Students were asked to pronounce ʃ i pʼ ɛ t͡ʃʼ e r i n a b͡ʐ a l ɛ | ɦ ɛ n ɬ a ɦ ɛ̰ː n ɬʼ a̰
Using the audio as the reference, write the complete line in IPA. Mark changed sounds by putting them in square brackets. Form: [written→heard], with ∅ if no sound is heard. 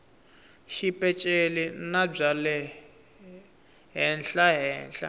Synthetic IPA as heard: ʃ i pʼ ɛ t͡ʃʼ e [r→l] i n a b͡ʐ a l ɛ | ɦ ɛ n ɬ a ɦ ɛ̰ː n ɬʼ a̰